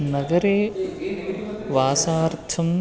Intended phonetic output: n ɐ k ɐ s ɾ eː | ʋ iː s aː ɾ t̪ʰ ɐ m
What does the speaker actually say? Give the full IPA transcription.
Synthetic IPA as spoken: n ɐ ɡ ɐ ɾ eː | ʋ aː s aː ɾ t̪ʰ ɐ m